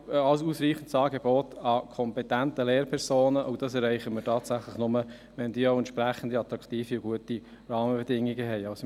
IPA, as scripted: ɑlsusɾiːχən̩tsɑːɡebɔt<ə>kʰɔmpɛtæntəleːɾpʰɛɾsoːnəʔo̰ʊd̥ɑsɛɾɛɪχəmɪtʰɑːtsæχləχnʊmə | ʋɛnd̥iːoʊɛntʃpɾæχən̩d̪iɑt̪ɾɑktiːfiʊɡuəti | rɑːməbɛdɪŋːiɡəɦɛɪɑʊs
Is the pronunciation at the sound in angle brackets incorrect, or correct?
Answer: incorrect